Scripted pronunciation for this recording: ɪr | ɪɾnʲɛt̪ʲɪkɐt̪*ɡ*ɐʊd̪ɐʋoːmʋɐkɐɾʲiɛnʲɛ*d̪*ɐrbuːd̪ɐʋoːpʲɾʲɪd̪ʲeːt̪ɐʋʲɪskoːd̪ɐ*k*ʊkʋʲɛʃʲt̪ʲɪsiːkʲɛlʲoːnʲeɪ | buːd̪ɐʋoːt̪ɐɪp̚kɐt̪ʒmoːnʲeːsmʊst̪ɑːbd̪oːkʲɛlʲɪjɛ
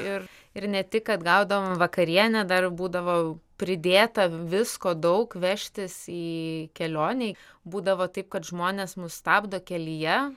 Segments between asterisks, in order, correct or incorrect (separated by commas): correct, correct, incorrect